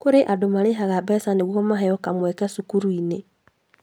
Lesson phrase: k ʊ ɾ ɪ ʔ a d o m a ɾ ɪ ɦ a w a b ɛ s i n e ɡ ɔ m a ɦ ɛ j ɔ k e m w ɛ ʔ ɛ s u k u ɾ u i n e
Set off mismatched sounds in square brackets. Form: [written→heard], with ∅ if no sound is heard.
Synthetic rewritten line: k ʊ ɾ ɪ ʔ a d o m a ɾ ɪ ɦ a [w→ɣ] a b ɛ s [i→a] n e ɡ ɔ m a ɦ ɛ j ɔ k [e→a] m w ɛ [ʔ→k] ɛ s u k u ɾ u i n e

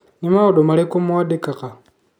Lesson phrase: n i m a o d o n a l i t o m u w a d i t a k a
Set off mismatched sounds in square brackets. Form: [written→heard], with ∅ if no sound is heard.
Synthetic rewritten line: n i m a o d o [n→m] a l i [t→k] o m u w a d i [t→k] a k a

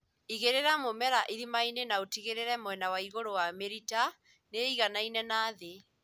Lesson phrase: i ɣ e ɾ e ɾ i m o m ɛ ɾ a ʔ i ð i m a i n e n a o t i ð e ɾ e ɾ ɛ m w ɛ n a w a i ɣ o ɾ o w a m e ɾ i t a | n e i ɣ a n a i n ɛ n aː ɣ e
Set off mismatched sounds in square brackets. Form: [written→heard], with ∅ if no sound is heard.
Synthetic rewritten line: i ɣ e ɾ e ɾ [i→a] m o m ɛ ɾ a ʔ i ð i m a i n e n a o t i [ð→ɣ] e ɾ e ɾ ɛ m w ɛ n a w a i ɣ o ɾ o w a m e ɾ i t a | n e i ɣ a n a i n ɛ n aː [ɣ→ð] e

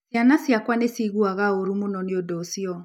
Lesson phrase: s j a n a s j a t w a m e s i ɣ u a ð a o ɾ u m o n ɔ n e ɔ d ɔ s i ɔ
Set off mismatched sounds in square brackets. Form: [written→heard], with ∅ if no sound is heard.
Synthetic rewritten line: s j a n a s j a [t→k] w a [m→n] e s i ɣ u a [ð→ɣ] a o ɾ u m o n ɔ n e [ɔ→o] d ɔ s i ɔ

